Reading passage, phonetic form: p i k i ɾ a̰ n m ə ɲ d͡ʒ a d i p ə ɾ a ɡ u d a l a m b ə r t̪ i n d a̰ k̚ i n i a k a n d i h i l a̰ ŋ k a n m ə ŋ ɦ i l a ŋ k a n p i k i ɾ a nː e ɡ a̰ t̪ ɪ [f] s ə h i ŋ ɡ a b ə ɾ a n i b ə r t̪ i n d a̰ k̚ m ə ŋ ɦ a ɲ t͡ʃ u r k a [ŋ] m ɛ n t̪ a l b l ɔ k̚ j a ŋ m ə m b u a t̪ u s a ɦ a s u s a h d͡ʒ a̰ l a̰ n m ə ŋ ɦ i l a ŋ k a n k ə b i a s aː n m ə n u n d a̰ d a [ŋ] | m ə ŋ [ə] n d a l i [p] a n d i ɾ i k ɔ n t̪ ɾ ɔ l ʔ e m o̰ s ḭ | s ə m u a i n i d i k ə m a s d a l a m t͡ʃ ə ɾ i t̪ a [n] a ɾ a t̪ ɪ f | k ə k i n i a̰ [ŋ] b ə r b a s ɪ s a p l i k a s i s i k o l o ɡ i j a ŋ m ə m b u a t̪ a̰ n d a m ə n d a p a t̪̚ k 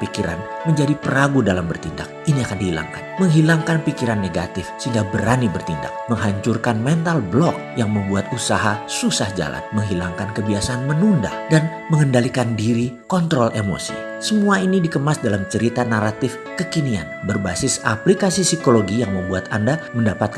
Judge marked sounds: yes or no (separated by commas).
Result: yes, no, no, yes, no, yes, no